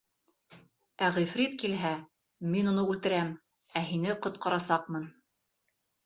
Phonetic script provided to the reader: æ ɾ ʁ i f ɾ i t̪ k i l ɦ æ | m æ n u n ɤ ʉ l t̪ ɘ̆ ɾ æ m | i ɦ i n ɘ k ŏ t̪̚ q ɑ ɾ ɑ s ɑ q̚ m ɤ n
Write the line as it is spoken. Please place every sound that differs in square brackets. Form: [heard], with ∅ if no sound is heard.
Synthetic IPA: æ [∅] ʁ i f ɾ i t̪ k i l ɦ æ | m [i] n u n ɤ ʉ l t̪ ɘ̆ ɾ æ m | [æ] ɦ i n ɘ [q] ŏ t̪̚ q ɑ ɾ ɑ s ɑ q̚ m ɤ n